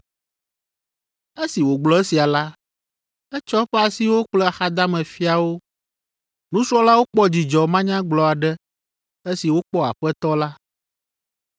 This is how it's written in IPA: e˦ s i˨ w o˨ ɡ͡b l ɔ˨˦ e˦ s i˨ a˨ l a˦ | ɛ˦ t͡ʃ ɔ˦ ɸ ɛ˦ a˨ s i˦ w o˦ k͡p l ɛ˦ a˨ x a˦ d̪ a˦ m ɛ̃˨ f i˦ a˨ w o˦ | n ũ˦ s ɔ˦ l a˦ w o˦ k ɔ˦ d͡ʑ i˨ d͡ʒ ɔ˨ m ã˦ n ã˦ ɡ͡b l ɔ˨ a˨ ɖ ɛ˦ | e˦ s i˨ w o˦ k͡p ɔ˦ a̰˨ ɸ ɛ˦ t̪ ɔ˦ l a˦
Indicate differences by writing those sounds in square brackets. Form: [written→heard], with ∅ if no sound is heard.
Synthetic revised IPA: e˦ s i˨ w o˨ ɡ͡b l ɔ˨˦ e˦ s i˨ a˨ l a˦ | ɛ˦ t͡ʃ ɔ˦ ɸ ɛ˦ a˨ s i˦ w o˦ k͡p l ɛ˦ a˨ x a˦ d̪ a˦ m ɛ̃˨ f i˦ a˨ w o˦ | n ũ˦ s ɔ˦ l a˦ w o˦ [k→k͡p] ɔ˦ d͡ʑ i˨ d͡ʒ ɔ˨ m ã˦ [n→ɲ] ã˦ ɡ͡b l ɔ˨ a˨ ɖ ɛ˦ | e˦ s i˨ w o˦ k͡p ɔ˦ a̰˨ ɸ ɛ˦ t̪ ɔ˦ l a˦